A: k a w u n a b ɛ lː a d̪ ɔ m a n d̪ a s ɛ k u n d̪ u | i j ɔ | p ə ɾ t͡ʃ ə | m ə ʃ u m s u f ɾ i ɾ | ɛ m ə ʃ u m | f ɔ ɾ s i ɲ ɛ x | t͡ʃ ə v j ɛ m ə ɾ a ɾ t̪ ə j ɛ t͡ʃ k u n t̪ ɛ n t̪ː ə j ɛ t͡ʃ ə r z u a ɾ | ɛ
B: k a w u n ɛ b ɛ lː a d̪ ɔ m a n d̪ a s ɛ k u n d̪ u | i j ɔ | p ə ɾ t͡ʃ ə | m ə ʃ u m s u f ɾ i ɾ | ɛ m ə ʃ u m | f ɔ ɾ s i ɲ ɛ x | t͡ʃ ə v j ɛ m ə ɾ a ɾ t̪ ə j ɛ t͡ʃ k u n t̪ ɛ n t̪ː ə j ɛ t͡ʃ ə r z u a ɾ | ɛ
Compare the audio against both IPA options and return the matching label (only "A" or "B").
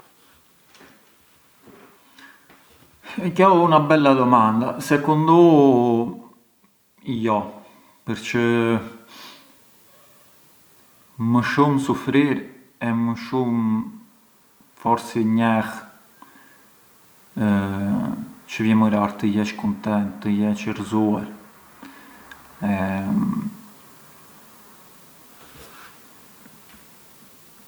A